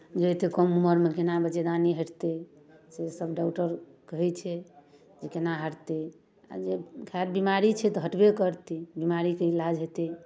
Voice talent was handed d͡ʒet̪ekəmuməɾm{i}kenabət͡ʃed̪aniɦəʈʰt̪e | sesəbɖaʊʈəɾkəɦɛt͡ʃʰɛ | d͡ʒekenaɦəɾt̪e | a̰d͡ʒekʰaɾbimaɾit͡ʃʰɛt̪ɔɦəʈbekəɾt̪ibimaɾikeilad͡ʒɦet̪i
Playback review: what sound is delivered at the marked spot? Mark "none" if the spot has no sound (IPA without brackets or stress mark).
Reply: e